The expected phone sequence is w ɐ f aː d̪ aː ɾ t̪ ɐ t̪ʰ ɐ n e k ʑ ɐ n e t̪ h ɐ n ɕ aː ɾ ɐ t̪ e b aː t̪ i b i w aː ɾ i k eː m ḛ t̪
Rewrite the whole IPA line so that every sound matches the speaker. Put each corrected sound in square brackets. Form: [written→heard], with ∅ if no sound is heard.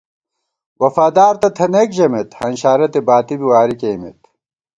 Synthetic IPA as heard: w ɐ f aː d̪ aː ɾ t̪ ɐ t̪ʰ ɐ n e k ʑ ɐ [n→m] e t̪ h ɐ n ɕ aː ɾ ɐ t̪ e b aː t̪ i b i w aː ɾ i k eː m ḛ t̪